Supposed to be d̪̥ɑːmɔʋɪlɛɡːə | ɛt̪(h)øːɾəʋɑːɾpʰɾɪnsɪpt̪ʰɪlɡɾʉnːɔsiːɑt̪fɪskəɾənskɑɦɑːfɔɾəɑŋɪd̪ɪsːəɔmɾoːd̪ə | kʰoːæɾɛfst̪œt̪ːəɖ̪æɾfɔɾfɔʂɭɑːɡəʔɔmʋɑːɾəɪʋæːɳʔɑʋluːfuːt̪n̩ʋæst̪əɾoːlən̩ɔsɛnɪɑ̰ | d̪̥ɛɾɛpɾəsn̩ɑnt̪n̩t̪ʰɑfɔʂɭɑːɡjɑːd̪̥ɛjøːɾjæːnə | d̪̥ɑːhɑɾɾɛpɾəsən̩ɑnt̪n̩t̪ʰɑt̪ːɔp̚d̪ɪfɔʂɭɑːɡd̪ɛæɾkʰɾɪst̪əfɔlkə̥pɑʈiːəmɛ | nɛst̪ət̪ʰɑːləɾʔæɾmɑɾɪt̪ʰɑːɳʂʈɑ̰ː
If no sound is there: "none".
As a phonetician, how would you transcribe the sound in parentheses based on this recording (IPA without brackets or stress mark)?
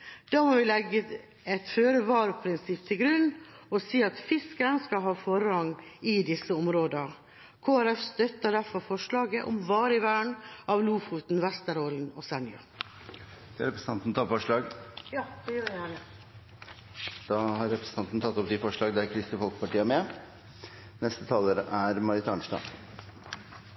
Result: f